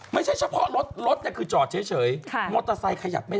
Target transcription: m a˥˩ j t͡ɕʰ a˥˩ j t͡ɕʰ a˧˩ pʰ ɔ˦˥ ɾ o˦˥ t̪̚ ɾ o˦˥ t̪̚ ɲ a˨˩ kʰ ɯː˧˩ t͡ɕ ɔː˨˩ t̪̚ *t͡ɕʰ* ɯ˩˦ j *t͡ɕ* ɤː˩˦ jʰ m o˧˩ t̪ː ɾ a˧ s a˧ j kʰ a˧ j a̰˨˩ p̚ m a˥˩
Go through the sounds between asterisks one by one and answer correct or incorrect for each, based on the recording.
correct, incorrect: t͡ɕʰ

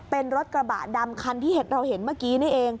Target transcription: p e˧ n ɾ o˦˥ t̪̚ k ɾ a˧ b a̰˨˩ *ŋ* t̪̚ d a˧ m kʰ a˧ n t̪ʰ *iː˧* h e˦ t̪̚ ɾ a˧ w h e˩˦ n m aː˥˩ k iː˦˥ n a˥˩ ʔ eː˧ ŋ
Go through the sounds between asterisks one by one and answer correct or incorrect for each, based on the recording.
incorrect: none, incorrect: iː˥˩

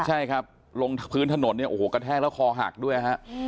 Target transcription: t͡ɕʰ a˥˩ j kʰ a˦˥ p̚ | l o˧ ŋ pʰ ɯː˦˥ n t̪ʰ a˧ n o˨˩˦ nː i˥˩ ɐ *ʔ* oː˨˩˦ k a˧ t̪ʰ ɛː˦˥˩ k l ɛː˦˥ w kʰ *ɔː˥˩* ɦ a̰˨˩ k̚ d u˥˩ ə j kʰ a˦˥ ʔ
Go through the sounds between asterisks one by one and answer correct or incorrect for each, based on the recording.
correct, incorrect: ɔː˧

